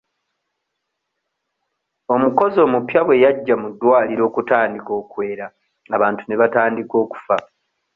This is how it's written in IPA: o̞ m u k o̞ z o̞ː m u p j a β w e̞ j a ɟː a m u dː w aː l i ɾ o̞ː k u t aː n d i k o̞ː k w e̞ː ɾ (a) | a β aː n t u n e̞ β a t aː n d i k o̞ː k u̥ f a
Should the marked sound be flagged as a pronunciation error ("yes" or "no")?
no